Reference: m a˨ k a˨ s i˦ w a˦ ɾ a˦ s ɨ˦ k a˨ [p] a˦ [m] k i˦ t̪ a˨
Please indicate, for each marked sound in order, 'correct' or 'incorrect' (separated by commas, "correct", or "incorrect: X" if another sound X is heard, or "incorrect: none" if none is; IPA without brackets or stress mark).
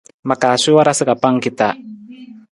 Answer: correct, incorrect: ŋ